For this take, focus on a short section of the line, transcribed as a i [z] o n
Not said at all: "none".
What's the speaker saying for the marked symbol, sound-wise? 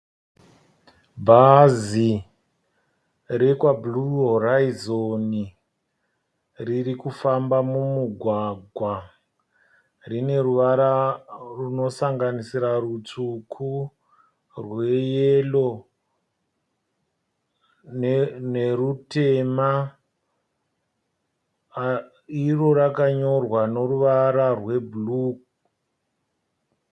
z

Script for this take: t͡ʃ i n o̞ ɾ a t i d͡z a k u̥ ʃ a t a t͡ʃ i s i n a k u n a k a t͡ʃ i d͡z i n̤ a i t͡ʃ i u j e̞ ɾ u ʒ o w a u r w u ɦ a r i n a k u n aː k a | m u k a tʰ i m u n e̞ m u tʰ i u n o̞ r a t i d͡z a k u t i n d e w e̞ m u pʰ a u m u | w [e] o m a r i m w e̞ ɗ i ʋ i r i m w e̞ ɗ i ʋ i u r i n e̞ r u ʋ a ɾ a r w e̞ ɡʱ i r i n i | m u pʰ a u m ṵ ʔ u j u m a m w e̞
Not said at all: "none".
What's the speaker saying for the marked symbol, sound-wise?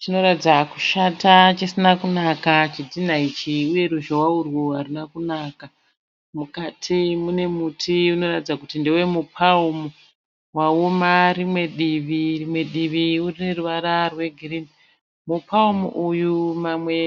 a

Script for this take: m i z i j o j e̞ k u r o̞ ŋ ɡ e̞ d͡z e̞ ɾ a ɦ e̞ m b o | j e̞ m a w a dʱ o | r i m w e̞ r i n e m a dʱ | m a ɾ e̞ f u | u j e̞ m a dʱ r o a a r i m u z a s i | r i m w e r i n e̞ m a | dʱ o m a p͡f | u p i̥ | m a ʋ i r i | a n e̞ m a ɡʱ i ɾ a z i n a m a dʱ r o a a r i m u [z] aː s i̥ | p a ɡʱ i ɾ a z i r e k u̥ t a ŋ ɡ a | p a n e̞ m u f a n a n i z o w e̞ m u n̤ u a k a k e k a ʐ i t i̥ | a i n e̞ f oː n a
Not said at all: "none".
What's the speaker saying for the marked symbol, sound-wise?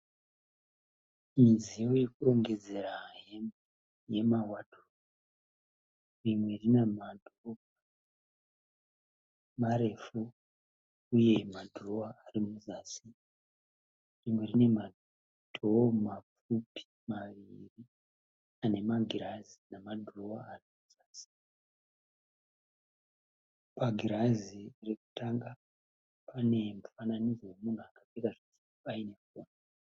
z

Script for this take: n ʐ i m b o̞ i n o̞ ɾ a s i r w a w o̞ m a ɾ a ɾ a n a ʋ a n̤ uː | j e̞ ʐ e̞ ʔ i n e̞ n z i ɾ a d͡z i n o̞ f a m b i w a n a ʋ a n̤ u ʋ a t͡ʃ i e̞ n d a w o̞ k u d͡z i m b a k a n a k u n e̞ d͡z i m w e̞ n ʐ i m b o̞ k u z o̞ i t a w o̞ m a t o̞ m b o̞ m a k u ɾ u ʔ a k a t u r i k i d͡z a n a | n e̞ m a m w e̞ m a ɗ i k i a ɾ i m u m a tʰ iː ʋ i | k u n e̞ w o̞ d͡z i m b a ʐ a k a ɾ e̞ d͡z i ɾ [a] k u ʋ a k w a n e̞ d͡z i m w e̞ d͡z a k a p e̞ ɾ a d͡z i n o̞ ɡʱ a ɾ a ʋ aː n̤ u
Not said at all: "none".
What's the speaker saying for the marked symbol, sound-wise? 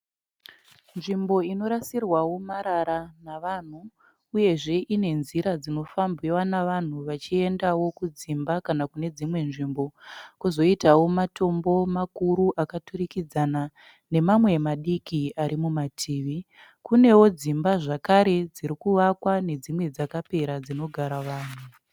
i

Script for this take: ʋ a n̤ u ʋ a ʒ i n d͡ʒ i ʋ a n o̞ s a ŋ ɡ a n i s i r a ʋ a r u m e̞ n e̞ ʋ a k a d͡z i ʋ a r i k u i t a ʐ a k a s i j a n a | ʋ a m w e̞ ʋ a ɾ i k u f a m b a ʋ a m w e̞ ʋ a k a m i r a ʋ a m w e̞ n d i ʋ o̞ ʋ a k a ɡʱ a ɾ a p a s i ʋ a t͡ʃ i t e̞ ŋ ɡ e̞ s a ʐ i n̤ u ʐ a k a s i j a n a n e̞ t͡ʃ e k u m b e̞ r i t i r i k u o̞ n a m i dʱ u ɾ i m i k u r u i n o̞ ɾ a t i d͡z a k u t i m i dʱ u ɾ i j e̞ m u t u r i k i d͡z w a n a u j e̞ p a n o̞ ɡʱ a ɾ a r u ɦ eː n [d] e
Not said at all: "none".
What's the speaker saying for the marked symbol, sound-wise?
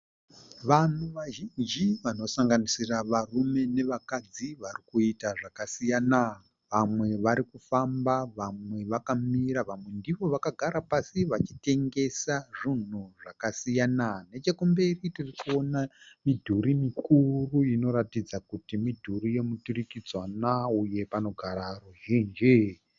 d͡ʒ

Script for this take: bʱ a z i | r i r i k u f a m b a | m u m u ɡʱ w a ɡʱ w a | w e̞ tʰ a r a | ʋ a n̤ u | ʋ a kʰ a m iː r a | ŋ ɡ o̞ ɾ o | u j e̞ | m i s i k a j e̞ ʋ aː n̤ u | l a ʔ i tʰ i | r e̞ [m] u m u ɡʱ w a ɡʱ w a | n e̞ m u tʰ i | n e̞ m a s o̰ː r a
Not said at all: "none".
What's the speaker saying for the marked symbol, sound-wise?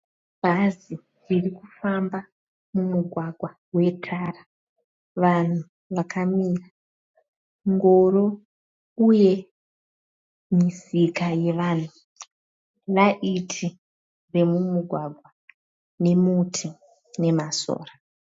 m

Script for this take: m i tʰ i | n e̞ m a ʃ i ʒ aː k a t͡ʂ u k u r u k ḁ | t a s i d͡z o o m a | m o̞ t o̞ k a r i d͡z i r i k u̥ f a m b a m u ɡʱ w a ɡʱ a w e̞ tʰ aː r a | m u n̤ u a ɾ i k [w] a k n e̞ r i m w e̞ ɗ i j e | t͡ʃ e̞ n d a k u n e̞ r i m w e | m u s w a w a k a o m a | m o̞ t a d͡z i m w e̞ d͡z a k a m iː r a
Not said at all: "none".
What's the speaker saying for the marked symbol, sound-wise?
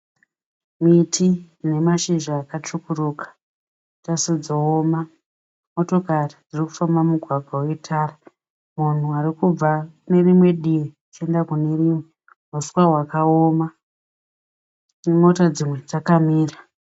u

